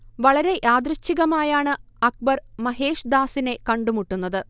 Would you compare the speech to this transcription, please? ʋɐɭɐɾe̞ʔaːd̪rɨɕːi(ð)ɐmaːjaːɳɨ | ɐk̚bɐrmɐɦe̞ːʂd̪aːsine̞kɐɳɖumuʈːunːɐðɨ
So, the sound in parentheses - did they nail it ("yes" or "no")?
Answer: no